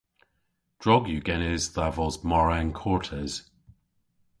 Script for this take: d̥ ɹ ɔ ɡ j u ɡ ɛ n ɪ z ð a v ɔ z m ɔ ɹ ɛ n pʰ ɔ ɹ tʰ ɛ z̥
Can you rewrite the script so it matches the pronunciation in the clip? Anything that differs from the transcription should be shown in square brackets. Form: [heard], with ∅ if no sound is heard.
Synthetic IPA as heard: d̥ ɹ ɔ ɡ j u ɡ ɛ n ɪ z ð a v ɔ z m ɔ ɹ ɛ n [kʰ] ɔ ɹ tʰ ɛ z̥